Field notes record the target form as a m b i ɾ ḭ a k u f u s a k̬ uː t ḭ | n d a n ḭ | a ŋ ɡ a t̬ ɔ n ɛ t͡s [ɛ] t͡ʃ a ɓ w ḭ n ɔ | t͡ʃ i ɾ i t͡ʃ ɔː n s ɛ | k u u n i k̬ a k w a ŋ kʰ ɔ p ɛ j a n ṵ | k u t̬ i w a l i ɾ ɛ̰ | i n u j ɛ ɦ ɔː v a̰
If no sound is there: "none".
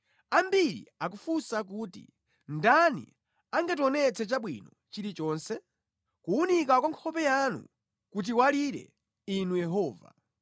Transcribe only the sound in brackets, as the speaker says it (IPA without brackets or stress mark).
ɛ